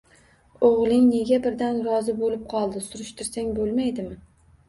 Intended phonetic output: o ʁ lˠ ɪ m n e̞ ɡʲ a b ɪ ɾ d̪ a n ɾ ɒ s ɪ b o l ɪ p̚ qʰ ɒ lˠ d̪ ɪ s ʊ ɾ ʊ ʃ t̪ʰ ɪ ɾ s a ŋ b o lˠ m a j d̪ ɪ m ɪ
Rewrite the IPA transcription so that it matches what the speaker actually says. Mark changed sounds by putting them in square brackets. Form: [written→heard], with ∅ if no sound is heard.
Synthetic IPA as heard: o ʁ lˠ ɪ [m→ŋ] n e̞ ɡʲ a b ɪ ɾ d̪ a n ɾ ɒ [s→z] ɪ b o l ɪ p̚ qʰ ɒ lˠ d̪ ɪ s ʊ ɾ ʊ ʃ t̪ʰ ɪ ɾ s a ŋ b o lˠ m a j d̪ ɪ m ɪ